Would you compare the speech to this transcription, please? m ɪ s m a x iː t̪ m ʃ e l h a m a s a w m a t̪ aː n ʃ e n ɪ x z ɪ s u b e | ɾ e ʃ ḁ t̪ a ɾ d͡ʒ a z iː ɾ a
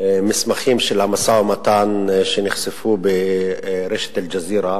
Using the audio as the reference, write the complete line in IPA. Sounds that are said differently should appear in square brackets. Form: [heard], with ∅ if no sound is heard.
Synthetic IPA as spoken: m ɪ s m a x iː [∅] m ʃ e l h a m a s a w m a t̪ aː n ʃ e n ɪ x [s] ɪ [f] u b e | ɾ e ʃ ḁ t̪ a [l] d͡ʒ a z iː ɾ a